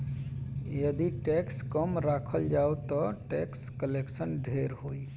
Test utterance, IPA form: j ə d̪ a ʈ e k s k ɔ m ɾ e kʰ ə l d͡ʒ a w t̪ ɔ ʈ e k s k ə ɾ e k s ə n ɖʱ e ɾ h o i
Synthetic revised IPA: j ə d̪ i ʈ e k s k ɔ m ɾ a kʰ ə l d͡ʒ a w t̪ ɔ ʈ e k s k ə l e k s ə n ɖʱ e ɾ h o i